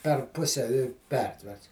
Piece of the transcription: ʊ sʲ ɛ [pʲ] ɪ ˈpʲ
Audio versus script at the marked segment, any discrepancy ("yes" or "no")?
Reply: yes